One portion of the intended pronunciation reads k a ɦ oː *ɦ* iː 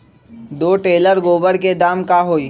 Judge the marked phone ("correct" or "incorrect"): incorrect